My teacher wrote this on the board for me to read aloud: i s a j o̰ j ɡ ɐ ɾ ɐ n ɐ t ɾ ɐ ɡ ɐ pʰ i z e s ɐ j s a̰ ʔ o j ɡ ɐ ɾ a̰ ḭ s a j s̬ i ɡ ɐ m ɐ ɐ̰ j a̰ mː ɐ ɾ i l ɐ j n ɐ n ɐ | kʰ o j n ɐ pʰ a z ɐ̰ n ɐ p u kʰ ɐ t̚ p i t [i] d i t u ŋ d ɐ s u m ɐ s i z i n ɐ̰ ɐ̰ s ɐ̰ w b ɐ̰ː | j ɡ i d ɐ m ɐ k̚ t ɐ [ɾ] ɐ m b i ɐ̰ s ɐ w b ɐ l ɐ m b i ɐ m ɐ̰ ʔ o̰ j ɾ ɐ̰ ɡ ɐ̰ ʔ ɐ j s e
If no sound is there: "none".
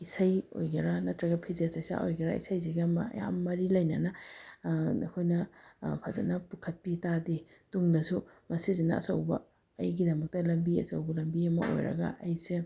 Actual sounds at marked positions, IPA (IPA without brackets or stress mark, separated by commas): a, l